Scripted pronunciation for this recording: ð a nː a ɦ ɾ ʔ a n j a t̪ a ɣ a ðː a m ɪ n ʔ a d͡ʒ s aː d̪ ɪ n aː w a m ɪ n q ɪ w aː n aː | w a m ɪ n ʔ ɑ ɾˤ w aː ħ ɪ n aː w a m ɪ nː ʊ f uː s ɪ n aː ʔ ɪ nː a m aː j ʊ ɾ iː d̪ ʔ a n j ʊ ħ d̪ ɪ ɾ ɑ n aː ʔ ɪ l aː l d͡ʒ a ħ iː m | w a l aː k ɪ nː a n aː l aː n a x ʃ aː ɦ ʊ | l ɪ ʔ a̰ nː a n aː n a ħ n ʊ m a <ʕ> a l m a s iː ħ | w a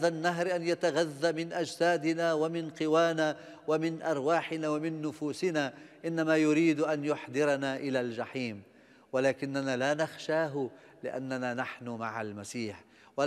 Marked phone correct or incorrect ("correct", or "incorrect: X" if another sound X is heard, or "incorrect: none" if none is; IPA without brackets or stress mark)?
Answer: correct